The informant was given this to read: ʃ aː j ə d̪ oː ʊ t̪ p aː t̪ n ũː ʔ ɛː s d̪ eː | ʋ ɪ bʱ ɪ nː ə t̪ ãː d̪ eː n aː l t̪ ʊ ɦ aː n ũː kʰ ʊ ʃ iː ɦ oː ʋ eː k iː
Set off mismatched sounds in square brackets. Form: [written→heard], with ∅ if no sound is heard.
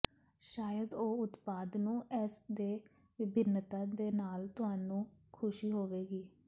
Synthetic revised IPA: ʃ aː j ə d̪ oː ʊ t̪ p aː [t̪→d̪] n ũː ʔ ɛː s d̪ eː | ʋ ɪ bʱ ɪ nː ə t̪ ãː d̪ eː n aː l t̪ ʊ ɦ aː n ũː kʰ ʊ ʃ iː ɦ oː ʋ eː [k→ɡ] iː

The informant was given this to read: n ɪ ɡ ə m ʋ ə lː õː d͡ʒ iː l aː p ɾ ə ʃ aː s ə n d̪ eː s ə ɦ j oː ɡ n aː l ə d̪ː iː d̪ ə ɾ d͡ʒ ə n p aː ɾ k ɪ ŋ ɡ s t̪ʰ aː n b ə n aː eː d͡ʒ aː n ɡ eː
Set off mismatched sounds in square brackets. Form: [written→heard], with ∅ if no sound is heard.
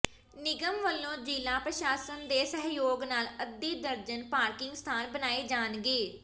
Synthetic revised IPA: n ɪ ɡ ə m ʋ ə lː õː d͡ʒ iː l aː p ɾ ə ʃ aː s ə n d̪ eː s ə ɦ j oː ɡ n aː l ə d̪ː iː d̪ ə ɾ d͡ʒ ə n p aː ɾ k ɪ ŋ ɡ s t̪ʰ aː n b ə n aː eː d͡ʒ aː n ɡ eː

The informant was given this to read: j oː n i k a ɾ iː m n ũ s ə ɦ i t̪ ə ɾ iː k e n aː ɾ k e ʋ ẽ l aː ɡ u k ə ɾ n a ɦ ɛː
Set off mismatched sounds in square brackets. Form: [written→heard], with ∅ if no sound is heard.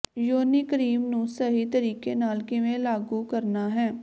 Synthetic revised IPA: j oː n i k [a→ə] ɾ iː m n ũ s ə ɦ i t̪ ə ɾ iː k e n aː [ɾ→l] k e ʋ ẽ l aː ɡ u k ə ɾ n a ɦ ɛː

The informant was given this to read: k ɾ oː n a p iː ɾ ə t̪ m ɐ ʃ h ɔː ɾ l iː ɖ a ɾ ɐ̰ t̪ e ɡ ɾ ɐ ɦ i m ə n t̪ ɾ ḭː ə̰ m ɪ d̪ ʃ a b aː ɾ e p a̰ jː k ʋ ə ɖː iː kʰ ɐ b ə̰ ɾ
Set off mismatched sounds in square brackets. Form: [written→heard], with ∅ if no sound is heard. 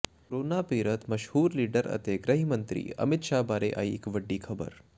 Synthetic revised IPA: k ɾ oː n a p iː ɾ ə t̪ m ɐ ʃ h [ɔː→uː] ɾ l iː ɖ [a→ə] ɾ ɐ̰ t̪ e ɡ ɾ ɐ ɦ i m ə n t̪ ɾ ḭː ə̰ m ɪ [d̪→t̪] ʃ a b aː ɾ e [p→ʔ] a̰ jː k ʋ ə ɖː iː kʰ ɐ b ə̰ ɾ

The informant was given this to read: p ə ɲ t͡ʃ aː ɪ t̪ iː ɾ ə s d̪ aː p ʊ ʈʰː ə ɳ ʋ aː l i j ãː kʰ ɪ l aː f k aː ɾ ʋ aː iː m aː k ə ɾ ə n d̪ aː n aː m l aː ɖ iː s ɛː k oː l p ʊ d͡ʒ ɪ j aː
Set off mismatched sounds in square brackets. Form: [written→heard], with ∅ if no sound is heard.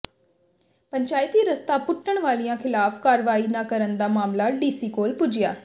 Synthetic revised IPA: p ə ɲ t͡ʃ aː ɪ t̪ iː ɾ ə s [d̪→t̪] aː p ʊ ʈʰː ə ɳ ʋ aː l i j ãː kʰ ɪ l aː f k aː ɾ ʋ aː iː [m→n] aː k ə ɾ ə n d̪ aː [n→m] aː m l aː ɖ iː s [ɛː→iː] k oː l p ʊ d͡ʒ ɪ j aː

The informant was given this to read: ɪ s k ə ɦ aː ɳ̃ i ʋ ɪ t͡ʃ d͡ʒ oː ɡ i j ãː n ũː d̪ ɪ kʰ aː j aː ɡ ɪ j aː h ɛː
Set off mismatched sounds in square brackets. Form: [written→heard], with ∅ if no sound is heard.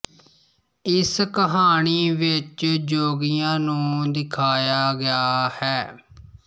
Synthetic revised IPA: ɪ s k ə ɦ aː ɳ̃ [i→iː] ʋ ɪ t͡ʃ d͡ʒ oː ɡ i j ãː n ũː d̪ ɪ kʰ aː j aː ɡ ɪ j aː h ɛː

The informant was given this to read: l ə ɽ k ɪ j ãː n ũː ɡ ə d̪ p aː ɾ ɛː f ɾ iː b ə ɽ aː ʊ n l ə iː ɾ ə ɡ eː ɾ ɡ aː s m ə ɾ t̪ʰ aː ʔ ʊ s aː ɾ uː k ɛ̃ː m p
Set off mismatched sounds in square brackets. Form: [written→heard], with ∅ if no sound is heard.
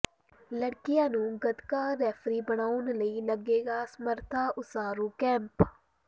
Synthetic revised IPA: l ə ɽ k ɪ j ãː n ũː ɡ ə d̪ [p→k] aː ɾ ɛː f ɾ iː b ə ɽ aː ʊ n l ə iː [ɾ→l] ə ɡ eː [ɾ→∅] ɡ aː s m ə ɾ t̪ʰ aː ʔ ʊ s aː ɾ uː k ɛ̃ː m p

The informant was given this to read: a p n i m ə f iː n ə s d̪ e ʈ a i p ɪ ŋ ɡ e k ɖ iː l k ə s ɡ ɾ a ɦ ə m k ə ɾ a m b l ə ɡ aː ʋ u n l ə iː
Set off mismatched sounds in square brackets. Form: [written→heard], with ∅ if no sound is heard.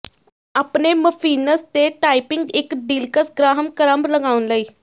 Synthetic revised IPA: a p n [i→e] m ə f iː n ə s [d̪→t̪] e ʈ a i p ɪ ŋ ɡ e k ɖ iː l k ə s ɡ ɾ a ɦ ə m k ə ɾ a m b l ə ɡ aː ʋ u n l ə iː

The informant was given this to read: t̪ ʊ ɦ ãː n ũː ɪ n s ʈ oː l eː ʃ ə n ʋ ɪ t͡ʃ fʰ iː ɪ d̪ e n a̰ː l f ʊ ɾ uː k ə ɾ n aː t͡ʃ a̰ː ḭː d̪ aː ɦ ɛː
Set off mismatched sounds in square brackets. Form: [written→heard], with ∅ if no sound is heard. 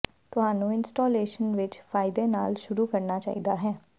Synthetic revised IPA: t̪ ʊ ɦ [ãː→aː] n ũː ɪ n s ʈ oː l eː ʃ ə n ʋ ɪ t͡ʃ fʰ [iː→aː] ɪ d̪ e n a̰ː l [f→ʃ] ʊ ɾ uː k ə ɾ n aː t͡ʃ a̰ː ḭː d̪ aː ɦ ɛː

